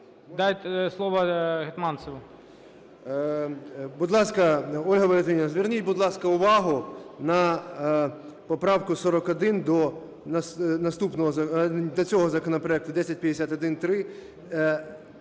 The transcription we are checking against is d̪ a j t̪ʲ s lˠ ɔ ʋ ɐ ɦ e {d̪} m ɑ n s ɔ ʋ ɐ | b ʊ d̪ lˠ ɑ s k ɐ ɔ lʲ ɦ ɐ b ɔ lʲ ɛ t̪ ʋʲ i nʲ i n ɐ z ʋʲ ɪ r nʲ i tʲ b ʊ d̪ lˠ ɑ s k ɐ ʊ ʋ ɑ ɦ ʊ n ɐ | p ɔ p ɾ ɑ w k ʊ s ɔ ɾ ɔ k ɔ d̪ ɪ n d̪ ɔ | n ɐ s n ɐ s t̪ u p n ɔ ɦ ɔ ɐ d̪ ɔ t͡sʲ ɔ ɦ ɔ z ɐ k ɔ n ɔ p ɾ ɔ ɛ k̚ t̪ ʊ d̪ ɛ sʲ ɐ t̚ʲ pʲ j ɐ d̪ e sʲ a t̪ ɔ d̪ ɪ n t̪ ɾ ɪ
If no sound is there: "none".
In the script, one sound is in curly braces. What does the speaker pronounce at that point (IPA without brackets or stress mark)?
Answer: t̪